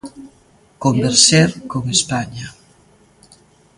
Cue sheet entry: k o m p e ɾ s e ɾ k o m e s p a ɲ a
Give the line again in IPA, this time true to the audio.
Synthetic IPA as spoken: k o m b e ɾ s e ɾ k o ŋ e s p a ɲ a